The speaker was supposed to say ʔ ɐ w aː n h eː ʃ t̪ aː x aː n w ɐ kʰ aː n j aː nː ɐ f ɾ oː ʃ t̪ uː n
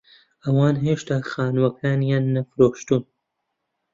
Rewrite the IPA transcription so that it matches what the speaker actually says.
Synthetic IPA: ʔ ɐ w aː n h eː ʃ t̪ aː x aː n w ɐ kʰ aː n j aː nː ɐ f ɾ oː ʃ t̪ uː n